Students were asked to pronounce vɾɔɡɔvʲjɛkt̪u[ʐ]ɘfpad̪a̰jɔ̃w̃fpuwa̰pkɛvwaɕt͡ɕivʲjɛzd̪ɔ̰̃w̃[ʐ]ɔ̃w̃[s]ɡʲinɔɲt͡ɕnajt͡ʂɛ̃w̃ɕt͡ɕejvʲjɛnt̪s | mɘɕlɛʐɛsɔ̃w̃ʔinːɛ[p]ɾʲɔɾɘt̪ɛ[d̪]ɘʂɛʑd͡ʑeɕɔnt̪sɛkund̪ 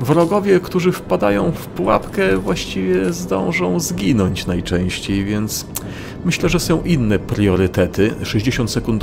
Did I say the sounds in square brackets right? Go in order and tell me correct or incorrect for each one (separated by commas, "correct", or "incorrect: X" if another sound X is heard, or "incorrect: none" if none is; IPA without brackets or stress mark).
correct, correct, incorrect: z, correct, incorrect: t̪